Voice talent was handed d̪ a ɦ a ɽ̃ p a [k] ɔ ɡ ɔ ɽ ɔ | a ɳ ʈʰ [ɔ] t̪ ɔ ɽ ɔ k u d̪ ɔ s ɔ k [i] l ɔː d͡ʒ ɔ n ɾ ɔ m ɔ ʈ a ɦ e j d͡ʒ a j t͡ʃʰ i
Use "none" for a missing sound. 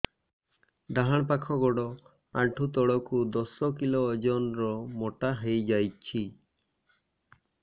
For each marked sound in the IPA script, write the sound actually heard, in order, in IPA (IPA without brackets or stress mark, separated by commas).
kʰ, u, i